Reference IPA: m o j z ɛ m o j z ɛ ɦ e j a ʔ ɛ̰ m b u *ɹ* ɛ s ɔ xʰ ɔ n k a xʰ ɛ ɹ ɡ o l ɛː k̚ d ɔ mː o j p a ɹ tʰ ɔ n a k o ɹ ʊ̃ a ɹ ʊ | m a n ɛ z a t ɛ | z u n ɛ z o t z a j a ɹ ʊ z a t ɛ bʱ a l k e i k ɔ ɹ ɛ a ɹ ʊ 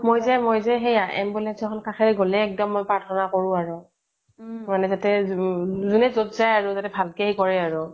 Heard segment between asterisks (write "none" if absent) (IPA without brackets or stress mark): l